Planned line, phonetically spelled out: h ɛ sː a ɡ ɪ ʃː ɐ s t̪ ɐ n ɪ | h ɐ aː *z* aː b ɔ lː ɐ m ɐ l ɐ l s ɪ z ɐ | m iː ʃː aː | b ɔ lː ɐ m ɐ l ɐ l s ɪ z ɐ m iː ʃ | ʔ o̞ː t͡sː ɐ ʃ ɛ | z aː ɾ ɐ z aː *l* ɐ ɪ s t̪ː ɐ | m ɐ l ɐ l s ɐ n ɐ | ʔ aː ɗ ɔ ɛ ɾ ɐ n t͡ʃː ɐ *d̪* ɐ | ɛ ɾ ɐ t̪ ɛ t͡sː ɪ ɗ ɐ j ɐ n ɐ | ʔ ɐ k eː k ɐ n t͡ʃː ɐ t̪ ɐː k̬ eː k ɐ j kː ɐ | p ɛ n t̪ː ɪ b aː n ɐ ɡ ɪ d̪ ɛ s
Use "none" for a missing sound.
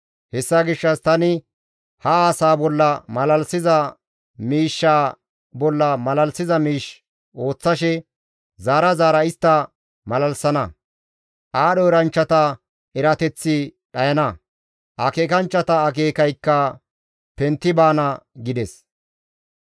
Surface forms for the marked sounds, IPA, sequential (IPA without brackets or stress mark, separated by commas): s, ɾ, t̪